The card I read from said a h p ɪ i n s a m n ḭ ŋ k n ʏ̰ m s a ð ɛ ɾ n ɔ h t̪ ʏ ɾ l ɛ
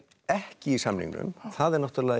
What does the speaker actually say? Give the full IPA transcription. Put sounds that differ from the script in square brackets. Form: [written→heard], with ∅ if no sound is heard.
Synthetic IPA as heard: [a→ɛ] h [p→c] ɪ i [n→∅] s a m n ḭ ŋ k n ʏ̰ m [s→θ] a ð ɛ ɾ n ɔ h t̪ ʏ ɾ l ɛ